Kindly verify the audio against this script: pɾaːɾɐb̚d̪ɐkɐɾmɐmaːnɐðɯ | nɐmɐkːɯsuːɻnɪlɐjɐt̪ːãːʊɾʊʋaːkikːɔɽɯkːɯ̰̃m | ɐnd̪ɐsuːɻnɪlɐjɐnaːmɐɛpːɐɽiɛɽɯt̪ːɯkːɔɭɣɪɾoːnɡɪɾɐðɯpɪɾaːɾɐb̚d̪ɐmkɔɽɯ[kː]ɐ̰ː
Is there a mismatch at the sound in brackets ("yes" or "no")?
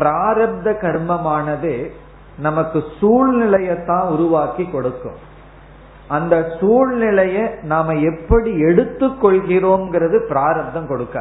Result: no